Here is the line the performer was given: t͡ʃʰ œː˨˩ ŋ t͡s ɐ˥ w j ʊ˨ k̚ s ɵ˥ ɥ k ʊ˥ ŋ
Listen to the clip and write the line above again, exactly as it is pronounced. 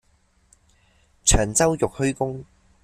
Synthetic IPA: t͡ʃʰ œː˨˩ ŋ t͡s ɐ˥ w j ʊ˨ k̚ h ɵ˥ ɥ k ʊ˥ ŋ

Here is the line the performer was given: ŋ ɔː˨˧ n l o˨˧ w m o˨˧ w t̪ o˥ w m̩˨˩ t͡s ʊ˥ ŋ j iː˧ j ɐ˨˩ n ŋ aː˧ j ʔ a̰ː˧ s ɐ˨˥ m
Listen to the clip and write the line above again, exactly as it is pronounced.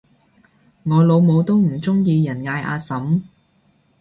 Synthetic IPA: ŋ ɔː˨˧ l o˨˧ w m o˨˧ w t̪ o˥ w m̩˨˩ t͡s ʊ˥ ŋ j iː˧ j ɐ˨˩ n ŋ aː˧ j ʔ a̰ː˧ s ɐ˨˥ m

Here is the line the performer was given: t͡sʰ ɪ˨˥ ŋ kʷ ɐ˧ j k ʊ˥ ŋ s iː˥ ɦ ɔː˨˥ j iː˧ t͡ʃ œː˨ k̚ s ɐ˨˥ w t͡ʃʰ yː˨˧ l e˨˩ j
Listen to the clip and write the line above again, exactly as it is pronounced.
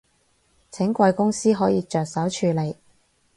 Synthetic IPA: t͡sʰ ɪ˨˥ ŋ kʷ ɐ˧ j k ʊ˥ ŋ s iː˥ ɦ ɔː˨˥ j iː˧ t͡ʃ œː˨ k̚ s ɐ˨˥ w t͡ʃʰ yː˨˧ l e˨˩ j

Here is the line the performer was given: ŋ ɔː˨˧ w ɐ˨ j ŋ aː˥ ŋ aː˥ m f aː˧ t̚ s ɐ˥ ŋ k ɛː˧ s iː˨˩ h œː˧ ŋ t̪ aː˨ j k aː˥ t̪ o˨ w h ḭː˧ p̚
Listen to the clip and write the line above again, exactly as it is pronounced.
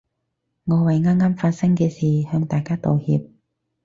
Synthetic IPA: ŋ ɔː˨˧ w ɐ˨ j ŋ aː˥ ŋ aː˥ m f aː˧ t̚ s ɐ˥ ŋ k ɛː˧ s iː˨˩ h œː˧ ŋ t̪ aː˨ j k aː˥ t̪ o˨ w h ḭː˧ p̚

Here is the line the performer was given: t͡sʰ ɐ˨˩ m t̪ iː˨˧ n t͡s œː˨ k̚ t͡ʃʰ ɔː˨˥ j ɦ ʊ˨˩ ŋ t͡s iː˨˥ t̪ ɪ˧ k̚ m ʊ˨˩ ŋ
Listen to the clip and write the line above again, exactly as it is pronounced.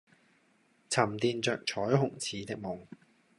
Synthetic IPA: t͡sʰ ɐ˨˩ m t̪ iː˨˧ n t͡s œː˨ k̚ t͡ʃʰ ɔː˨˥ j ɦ ʊ˨˩ ŋ t͡sʰ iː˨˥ t̪ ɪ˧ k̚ m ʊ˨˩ ŋ

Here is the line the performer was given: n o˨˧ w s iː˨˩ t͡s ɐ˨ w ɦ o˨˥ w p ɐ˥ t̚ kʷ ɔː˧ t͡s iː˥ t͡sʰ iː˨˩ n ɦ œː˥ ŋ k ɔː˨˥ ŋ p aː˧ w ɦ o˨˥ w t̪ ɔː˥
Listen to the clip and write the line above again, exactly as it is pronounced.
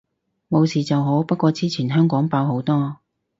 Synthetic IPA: m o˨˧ w s iː˨˩ t͡s ɐ˨ w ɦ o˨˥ w p ɐ˥ t̚ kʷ ɔː˧ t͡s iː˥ t͡sʰ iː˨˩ n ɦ œː˥ ŋ k ɔː˨˥ ŋ p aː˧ w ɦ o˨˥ w t̪ ɔː˥

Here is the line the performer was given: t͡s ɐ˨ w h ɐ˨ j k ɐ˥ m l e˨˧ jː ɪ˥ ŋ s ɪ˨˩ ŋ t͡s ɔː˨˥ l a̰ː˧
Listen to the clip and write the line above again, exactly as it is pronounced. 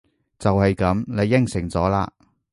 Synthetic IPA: t͡s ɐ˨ w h ɐ˨ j k ɐ˨˥ m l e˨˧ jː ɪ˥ ŋ s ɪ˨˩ ŋ t͡s ɔː˨˥ l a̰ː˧

